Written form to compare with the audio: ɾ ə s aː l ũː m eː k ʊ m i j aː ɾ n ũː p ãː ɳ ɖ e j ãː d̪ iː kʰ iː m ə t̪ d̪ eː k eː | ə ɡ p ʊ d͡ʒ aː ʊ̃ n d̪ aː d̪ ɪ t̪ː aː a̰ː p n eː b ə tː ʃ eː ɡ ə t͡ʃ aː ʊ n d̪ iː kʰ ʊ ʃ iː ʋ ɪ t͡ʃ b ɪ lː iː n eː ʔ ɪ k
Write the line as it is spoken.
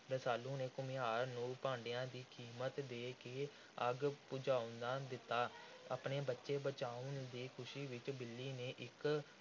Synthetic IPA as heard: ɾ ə s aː l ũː n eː k ʊ m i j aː ɾ n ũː p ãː ɳ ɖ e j ãː d̪ iː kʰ iː m ə t̪ d̪ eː k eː | ə ɡ p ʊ d͡ʒ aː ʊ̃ n d̪ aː d̪ ɪ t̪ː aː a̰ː p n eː b ə tː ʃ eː b ə t͡ʃ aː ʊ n d̪ iː kʰ ʊ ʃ iː ʋ ɪ t͡ʃ b ɪ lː iː n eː ʔ ɪ k

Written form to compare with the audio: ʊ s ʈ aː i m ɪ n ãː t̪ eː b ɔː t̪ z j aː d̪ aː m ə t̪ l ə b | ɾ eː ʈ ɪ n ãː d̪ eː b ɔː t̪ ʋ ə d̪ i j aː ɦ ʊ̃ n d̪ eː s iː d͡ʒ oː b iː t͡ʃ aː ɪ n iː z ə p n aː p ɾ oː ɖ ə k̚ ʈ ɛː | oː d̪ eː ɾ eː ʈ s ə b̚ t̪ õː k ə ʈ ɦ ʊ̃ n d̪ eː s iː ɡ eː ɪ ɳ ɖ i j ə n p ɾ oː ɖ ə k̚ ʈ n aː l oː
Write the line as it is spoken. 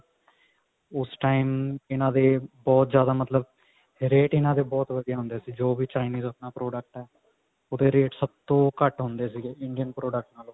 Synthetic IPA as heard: ʊ s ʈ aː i m ɪ n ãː d̪ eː b ɔː t̪ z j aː d̪ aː m ə t̪ l ə b | ɾ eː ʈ ɪ n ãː d̪ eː b ɔː t̪ ʋ ə d̪ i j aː ɦ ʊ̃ n d̪ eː s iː d͡ʒ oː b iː t͡ʃ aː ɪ n iː z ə p n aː p ɾ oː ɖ ə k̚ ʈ ɛː | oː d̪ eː ɾ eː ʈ s ə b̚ t̪ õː k ə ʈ ɦ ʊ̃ n d̪ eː s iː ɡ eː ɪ ɳ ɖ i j ə n p ɾ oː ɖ ə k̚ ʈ n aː l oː

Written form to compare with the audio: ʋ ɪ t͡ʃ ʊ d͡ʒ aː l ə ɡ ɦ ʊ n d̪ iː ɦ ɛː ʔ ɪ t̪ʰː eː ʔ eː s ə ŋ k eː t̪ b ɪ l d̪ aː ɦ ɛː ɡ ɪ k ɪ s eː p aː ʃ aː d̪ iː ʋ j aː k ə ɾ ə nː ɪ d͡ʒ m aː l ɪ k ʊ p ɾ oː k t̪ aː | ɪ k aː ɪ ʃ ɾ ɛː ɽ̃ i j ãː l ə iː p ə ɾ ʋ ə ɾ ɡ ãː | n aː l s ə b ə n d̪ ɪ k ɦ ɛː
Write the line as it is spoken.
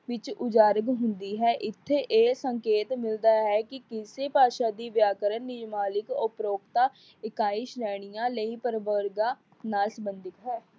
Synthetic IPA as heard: ʋ ɪ t͡ʃ ʊ d͡ʒ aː ɾ ə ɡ ɦ ʊ n d̪ iː ɦ ɛː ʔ ɪ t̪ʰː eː ʔ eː s ə ŋ k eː t̪ m ɪ l d̪ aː ɦ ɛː k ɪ k ɪ s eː p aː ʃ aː d̪ iː ʋ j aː k ə ɾ ə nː ɪ d͡ʒ m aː l ɪ k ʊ p ɾ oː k t̪ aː | ɪ k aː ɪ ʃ ɾ ɛː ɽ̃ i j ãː l ə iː p ə ɾ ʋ ə ɾ ɡ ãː | n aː l s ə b ə n d̪ ɪ k ɦ ɛː

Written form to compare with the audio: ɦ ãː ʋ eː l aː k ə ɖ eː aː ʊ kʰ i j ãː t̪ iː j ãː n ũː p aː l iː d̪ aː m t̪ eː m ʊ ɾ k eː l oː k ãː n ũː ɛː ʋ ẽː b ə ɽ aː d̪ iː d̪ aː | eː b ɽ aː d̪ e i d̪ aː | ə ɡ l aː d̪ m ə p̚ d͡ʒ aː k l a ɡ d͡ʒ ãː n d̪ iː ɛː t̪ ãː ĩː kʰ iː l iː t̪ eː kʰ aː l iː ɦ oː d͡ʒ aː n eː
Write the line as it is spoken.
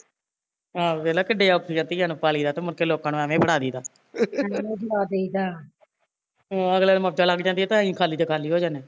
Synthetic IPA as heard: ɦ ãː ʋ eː l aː k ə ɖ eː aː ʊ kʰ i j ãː t̪ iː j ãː n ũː p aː l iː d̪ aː t̪ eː m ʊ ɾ k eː l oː k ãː n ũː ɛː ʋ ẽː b ə ɽ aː d̪ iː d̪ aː | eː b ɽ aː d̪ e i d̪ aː | ə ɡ l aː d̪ m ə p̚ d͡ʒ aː l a ɡ d͡ʒ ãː n d̪ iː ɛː t̪ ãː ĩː kʰ aː l iː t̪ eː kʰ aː l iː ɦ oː d͡ʒ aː n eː

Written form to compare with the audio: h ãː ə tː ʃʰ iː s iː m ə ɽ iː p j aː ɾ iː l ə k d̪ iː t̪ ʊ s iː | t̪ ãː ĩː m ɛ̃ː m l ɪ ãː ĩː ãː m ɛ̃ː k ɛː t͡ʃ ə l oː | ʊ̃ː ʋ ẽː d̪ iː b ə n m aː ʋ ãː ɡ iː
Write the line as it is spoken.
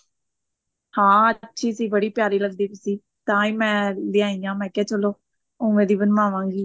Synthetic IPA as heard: h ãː ə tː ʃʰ iː s iː b ə ɽ iː p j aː ɾ iː l ə ɡ d̪ iː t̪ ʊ s iː | t̪ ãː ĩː m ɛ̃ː l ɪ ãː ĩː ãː m ɛ̃ː k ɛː t͡ʃ ə l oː | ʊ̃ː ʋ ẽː d̪ iː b ə n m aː ʋ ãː ɡ iː

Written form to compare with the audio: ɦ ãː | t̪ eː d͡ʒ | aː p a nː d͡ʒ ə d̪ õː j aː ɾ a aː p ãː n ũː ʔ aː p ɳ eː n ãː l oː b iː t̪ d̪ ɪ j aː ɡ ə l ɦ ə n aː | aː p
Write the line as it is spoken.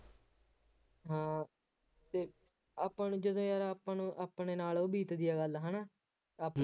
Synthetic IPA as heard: ɦ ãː | t̪ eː | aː p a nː d͡ʒ ə d̪ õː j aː ɾ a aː p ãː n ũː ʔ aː p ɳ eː n aː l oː b iː t̪ d̪ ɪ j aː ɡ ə l ɦ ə n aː | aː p

